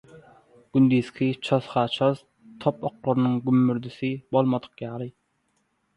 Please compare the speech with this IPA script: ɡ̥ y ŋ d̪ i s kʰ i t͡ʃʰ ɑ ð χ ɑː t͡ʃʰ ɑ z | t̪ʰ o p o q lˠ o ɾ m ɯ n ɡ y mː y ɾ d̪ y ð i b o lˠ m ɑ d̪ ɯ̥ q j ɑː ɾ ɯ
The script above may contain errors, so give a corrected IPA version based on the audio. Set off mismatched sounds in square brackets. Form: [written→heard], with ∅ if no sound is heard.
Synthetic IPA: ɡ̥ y [ŋ→n] d̪ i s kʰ i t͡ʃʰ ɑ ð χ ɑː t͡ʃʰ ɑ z | t̪ʰ o p o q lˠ o ɾ [m→n] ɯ [n→ŋ] ɡ y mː y ɾ d̪ y [ð→θ] i b o lˠ m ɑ d̪ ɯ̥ q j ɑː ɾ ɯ